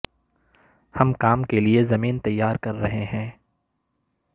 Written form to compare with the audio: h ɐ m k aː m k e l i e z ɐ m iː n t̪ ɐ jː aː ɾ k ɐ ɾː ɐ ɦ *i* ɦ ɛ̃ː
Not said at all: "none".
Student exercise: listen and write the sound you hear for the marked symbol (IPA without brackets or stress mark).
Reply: e